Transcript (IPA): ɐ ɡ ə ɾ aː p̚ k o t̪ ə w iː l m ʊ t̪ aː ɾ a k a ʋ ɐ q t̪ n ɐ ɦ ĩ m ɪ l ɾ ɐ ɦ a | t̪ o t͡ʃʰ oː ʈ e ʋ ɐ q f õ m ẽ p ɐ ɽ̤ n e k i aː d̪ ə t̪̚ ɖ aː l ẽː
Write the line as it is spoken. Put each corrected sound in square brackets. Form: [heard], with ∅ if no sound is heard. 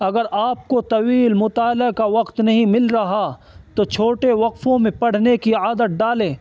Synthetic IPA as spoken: ɐ ɡ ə ɾ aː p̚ k o t̪ [ɐ] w iː l m ʊ t̪ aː [l] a k a ʋ ɐ q t̪ n ɐ ɦ ĩ m ɪ l ɾ ɐ ɦ a | t̪ o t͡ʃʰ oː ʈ e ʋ ɐ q f õ m ẽ p ɐ ɽ̤ n e k i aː d̪ ə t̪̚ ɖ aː l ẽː